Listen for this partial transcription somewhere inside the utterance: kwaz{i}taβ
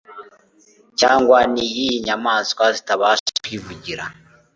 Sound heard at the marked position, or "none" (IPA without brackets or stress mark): i